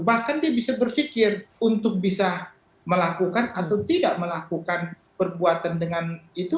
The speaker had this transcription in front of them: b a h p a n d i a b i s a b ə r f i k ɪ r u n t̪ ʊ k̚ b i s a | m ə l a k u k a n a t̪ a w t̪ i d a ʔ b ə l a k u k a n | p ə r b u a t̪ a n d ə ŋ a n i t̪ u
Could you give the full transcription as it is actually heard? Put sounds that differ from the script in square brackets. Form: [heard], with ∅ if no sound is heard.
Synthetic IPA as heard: b a h [k] a n d i a b i s a b ə r f i k ɪ r u n t̪ ʊ k̚ b i s a | m ə l a k u k a n a t̪ a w t̪ i d a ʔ [m] ə l a k u k a n | p ə r b u a t̪ a n d ə ŋ a n i t̪ u

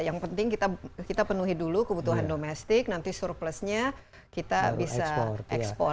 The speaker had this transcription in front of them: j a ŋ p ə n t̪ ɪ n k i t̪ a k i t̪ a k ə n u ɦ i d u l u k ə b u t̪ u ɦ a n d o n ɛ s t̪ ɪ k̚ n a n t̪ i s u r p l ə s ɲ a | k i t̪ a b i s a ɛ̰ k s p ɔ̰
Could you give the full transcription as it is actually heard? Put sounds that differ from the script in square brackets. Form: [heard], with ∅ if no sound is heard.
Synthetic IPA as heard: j a ŋ p ə n t̪ ɪ [ŋ] k i t̪ a k i t̪ a [p] ə n u ɦ i d u l u k ə b u t̪ u ɦ a n d o [m] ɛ s t̪ ɪ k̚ n a n t̪ i s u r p l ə s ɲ a | k i t̪ a b i s a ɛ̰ k s p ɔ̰

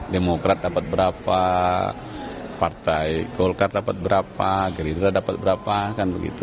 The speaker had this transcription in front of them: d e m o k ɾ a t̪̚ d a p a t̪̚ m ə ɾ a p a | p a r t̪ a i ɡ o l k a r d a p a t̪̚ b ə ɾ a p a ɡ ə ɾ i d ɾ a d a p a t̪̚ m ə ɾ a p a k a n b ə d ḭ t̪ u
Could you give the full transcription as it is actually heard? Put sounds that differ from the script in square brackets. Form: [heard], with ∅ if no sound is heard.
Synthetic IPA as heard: d e m o k ɾ a t̪̚ d a p a t̪̚ [b] ə ɾ a p a | p a r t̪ a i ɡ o l k a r d a p a t̪̚ b ə ɾ a p a ɡ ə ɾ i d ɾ a d a p a t̪̚ [b] ə ɾ a p a k a n b ə [ɡ] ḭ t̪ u

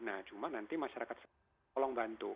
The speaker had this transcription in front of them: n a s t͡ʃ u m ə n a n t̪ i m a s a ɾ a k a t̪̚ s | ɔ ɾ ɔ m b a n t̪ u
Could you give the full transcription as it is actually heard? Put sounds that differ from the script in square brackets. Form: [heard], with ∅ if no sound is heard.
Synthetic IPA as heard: n a [h] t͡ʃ u m [a] n a n t̪ i m a [ʃ] a ɾ a k a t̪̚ s | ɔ [l] ɔ [ŋ] b a n t̪ u

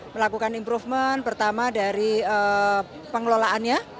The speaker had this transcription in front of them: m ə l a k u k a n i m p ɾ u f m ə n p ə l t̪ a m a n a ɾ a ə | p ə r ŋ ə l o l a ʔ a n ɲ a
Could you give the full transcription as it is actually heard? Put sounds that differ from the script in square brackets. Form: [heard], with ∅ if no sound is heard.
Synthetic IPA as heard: m ə l a k u k a n i m p ɾ u f m ə n p ə [r] t̪ a m a [d] a ɾ [i] ə | p ə [∅] ŋ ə l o l a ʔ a n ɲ a

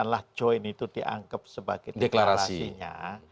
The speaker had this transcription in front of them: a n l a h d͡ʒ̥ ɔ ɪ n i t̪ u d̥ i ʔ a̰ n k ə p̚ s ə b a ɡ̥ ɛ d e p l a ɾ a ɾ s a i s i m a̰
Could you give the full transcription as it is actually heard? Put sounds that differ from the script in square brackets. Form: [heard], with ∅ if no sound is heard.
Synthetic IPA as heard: a n l a h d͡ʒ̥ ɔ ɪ n i t̪ u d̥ i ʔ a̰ [ŋ] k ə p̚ s ə b a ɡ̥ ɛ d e [k] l a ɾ a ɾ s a i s i [ɲ] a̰

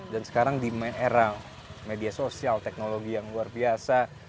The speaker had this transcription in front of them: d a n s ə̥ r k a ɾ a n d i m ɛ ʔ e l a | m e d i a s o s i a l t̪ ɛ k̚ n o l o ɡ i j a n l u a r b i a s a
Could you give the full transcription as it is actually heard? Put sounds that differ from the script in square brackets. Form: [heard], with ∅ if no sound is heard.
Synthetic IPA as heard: d a n s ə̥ [∅] k a ɾ a [ŋ] d i m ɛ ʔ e [ɾ] a | m e d i a s o s i a l t̪ ɛ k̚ n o l o ɡ i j a [ŋ] l u a r b i a s a

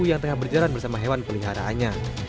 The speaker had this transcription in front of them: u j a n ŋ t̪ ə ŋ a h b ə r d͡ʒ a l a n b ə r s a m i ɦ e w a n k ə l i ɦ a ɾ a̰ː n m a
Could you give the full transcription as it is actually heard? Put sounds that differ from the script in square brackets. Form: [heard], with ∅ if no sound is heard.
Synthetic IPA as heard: u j a [∅] ŋ t̪ ə ŋ a h b ə r d͡ʒ a l a n b ə r s a m [a] ɦ e w a n [p] ə l i ɦ a ɾ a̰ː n [ɲ] a

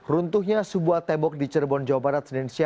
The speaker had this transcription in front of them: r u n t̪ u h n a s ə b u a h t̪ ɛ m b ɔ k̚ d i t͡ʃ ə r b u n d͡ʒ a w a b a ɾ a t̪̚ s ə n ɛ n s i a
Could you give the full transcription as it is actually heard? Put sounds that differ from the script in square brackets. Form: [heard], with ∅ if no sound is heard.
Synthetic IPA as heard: r u n t̪ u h [ɲ] a s ə b u a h t̪ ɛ m b ɔ k̚ d i t͡ʃ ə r b [ɔ] n d͡ʒ a w a b a ɾ a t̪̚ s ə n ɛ n s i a

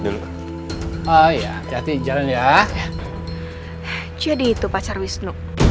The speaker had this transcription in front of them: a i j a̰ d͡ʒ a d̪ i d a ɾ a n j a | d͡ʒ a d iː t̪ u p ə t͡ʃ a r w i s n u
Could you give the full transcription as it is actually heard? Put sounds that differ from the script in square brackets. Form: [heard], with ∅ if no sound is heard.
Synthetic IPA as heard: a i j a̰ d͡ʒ a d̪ i [d͡ʒ] a [l] a n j a | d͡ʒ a d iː t̪ u p [a] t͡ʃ a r w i s n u

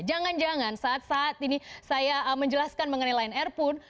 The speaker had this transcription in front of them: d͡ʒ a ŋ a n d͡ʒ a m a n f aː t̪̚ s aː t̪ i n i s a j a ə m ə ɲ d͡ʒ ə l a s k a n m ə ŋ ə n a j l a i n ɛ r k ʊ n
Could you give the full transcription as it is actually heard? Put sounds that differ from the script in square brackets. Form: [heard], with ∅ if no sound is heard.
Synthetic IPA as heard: d͡ʒ a ŋ a n d͡ʒ a [ŋ] a n [s] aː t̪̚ s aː t̪ i n i s a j a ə m ə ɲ d͡ʒ ə l a s k a n m ə ŋ ə n a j l a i n ɛ r [p] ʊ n

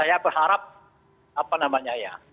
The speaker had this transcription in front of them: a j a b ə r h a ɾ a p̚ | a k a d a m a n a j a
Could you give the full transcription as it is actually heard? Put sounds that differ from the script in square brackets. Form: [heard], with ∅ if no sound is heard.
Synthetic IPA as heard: a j a b ə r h a ɾ a p̚ | a [p] a [n] a m a [ɲ] a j a

